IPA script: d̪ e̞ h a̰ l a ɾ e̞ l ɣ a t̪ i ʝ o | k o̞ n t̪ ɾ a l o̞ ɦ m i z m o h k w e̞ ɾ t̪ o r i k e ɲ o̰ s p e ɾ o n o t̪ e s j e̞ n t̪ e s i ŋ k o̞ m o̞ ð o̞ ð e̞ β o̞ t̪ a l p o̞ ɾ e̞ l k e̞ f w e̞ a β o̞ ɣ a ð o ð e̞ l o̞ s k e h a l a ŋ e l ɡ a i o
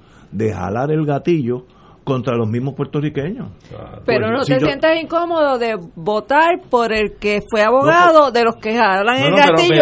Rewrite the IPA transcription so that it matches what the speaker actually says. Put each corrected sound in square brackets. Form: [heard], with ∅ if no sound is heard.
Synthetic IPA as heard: d̪ e̞ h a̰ l a ɾ e̞ l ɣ a t̪ i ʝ o | k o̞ n t̪ ɾ a l o̞ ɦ m i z m o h [p] w e̞ ɾ t̪ o r i k e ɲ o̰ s p e ɾ o n o t̪ e s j e̞ n t̪ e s i ŋ k o̞ m o̞ ð o̞ ð e̞ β o̞ t̪ a [ɾ] p o̞ ɾ e̞ l k e̞ f w e̞ a β o̞ ɣ a ð o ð e̞ l o̞ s k e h a l a ŋ e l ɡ a i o